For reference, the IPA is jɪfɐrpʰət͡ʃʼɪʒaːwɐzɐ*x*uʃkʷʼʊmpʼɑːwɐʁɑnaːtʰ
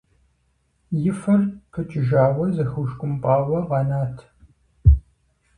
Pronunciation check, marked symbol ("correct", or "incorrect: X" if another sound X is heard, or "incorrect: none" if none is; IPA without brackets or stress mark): correct